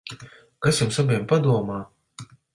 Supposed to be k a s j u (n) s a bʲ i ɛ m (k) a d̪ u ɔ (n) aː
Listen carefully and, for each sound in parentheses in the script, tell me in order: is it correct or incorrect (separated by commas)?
incorrect, incorrect, incorrect